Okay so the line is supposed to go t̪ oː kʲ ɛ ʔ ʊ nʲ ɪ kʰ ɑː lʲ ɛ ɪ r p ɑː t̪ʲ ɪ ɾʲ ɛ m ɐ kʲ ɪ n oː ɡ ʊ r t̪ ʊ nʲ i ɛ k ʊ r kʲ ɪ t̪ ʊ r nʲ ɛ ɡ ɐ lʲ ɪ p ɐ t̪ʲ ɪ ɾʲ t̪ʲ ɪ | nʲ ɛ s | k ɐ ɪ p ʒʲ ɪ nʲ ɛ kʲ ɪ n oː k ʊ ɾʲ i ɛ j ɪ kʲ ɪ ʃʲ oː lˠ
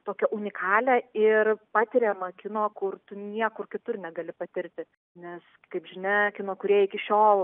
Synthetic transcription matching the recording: t̪ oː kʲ ɛ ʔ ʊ nʲ ɪ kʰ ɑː lʲ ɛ ɪ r p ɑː t̪ʲ ɪ ɾʲ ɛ m ɐ kʲ ɪ n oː k ʊ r t̪ ʊ nʲ i ɛ k ʊ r kʲ ɪ t̪ ʊ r nʲ ɛ ɡ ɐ lʲ ɪ p ɐ t̪ʲ ɪ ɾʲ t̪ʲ ɪ | nʲ ɛ s | k ɐ ɪ p ʒʲ ɪ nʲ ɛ kʲ ɪ n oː k ʊ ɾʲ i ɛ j ɪ kʲ ɪ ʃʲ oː lˠ